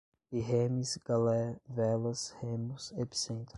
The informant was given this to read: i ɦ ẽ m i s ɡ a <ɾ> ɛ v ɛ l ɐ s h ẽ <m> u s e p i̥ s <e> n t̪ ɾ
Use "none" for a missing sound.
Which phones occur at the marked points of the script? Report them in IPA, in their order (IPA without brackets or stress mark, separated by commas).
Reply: l, m, ẽ